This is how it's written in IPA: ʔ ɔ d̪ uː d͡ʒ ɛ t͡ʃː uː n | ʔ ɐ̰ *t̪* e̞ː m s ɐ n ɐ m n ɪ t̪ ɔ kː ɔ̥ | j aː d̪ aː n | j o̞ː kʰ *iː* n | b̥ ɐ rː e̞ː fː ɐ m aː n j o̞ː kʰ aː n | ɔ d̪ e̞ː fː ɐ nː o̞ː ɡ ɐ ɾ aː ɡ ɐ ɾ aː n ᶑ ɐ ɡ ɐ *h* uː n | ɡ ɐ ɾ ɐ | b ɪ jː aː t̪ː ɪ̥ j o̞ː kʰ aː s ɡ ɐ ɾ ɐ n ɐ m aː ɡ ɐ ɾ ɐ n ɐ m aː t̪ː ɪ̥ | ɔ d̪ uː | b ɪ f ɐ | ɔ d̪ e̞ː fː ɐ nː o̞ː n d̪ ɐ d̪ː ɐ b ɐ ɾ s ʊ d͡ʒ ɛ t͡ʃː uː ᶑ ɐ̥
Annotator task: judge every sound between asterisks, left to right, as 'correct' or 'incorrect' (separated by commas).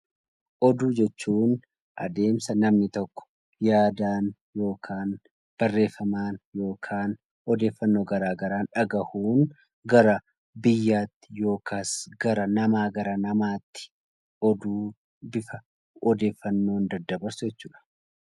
incorrect, incorrect, correct